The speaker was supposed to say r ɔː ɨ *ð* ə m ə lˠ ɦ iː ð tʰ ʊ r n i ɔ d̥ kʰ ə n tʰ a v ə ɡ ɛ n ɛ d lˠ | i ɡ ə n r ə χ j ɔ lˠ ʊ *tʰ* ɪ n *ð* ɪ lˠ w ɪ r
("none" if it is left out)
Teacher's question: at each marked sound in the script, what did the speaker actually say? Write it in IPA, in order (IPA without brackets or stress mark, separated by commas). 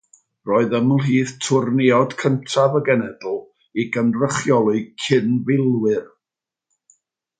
ð, kʰ, v